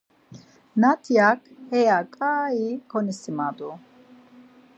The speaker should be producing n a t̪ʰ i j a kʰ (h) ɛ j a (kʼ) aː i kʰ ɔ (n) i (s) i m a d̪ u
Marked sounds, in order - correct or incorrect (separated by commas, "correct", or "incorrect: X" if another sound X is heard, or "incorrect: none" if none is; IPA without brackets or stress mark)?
correct, correct, correct, correct